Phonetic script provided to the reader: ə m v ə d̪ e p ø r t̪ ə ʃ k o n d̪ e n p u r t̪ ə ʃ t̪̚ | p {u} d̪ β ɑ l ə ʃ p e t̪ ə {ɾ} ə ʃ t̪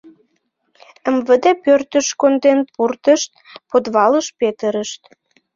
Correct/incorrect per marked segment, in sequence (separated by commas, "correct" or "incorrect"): incorrect, correct